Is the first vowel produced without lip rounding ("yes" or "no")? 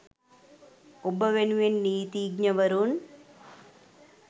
no